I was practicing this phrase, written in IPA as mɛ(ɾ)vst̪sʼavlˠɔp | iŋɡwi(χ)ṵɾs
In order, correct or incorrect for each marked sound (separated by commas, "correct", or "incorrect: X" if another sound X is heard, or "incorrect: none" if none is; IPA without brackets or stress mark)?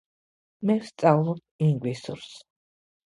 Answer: incorrect: none, incorrect: s